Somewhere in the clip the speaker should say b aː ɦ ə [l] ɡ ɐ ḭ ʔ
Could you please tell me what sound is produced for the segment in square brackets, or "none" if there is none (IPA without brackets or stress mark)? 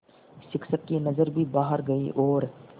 ɾ